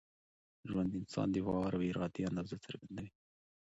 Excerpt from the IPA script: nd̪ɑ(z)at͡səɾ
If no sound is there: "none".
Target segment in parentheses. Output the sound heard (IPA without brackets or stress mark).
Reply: z